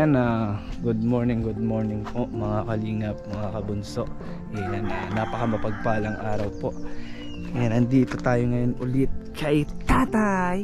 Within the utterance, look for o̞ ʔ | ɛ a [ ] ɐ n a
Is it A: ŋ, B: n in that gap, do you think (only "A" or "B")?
B